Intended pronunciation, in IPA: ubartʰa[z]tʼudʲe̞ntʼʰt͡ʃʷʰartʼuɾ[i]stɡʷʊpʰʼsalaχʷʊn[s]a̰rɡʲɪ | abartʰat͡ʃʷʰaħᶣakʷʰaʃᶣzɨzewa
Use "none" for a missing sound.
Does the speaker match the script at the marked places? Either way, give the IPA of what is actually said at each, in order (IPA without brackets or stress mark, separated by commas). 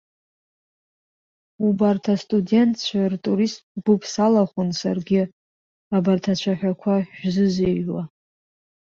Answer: s, i, s